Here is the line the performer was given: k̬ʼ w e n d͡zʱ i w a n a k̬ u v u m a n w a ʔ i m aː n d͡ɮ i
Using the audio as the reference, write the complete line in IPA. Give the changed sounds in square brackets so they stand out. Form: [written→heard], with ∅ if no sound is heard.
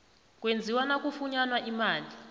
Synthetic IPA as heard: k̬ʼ w e n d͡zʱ i w a n a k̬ u [v→f] u [m→ɲ] a n w a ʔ i m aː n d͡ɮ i